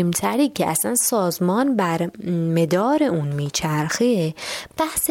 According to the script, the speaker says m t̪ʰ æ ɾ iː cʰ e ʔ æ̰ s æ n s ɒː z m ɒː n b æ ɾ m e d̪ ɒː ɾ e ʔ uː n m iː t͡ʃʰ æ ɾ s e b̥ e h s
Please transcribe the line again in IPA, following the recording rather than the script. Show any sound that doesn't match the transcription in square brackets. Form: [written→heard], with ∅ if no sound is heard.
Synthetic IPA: m t̪ʰ æ ɾ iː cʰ e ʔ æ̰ s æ n s ɒː z m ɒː n b æ ɾ m e d̪ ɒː ɾ e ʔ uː n m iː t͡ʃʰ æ ɾ [s→x] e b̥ [e→æ] h s